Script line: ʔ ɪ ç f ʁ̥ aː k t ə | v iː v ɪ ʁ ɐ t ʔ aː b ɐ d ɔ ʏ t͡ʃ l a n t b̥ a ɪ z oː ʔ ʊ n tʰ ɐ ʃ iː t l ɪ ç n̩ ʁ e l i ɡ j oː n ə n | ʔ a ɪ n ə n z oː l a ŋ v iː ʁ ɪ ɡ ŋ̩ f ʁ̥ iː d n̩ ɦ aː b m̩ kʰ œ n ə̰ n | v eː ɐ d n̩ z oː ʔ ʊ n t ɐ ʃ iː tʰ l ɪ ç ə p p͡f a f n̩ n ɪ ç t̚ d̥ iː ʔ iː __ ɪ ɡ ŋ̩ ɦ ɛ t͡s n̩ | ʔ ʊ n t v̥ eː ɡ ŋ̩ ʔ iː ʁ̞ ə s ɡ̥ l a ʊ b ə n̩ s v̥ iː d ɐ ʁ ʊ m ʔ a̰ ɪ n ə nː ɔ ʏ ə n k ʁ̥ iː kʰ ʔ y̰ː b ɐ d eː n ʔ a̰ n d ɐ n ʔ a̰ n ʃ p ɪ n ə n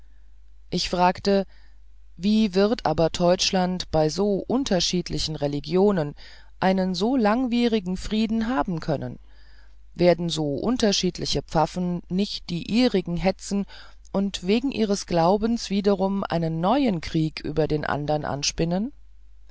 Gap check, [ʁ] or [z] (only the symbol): ʁ